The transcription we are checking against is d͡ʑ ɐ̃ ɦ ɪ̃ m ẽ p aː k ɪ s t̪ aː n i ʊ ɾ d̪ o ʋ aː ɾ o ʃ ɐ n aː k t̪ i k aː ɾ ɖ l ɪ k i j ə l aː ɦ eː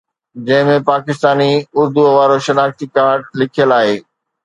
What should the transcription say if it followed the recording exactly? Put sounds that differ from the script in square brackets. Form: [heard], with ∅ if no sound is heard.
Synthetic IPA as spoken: d͡ʑ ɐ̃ ɦ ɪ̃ m ẽ p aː k ɪ s t̪ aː n i ʊ ɾ d̪ [u] ʋ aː ɾ o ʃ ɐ n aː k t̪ i k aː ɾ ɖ l ɪ [kʰ] i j ə l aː ɦ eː